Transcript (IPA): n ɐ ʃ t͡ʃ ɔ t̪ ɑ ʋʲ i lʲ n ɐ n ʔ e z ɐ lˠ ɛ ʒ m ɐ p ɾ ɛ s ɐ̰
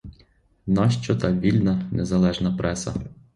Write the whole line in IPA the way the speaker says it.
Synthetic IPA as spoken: n ɑ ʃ t͡ʃ ɔ t̪ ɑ ʋʲ i lʲ n ɐ n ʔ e z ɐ lˠ ɛ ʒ n ɐ p ɾ ɛ s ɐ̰